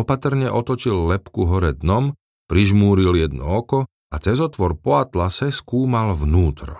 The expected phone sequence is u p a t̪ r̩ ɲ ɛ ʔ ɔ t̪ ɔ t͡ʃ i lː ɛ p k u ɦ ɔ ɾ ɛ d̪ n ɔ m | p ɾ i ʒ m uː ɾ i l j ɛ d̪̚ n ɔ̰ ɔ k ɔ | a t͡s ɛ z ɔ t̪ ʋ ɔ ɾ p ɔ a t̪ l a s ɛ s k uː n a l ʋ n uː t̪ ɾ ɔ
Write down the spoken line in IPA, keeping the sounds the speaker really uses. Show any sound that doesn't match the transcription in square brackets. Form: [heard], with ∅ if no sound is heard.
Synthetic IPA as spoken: [ɔ] p a t̪ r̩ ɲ ɛ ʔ ɔ t̪ ɔ t͡ʃ i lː ɛ p k u ɦ ɔ ɾ ɛ d̪ n ɔ m | p ɾ i ʒ m uː ɾ i l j ɛ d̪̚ n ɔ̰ ɔ k ɔ | a t͡s ɛ z ɔ t̪ ʋ ɔ ɾ p ɔ a t̪ l a s ɛ s k uː [m] a l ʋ n uː t̪ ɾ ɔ